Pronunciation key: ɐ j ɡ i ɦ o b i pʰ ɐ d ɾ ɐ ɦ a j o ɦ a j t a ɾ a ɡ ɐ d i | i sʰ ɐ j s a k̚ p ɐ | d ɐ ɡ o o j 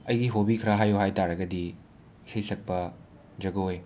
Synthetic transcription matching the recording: ɐ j ɡ i ɦ o b i kʰ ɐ ɾ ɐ ɦ a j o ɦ a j t a ɾ ɐ ɡ ɐ d i | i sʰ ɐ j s ɐ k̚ p ɐ | d͡ʒ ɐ ɡ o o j